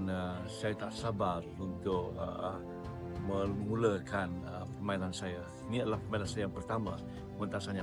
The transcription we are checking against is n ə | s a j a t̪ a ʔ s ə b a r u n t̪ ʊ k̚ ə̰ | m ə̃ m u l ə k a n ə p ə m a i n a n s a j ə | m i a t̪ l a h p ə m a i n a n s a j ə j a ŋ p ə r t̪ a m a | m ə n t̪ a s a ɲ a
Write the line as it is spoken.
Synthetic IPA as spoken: n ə | s a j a t̪ a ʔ s a b a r u n t̪ ʊ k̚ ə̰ | m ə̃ m u l ə k a n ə p ə m a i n a n s a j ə | n i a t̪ l a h p ə m a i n a n s a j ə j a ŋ p ə r t̪ a m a | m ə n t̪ a s a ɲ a